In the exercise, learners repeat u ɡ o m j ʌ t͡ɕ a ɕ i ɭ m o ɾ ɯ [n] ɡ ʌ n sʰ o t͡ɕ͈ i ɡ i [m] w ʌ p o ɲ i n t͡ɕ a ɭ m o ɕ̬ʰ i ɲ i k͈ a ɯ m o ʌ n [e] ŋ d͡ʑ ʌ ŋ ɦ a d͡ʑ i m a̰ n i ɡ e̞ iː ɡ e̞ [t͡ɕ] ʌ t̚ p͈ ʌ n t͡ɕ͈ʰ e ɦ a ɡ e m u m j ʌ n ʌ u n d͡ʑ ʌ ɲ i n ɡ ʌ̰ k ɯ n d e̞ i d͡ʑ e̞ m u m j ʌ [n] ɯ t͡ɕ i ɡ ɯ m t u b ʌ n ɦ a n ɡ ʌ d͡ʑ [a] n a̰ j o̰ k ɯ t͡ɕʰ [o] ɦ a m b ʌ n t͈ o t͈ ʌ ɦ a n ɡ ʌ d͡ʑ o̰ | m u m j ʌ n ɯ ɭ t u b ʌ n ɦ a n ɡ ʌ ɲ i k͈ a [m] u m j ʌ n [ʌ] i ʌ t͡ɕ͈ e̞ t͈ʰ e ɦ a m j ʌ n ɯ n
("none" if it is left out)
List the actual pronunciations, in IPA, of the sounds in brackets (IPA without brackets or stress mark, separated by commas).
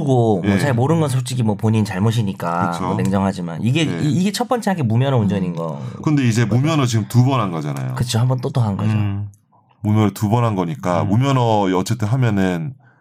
n, m, e, t͡ɕʰ, n, a, o, m, ʌ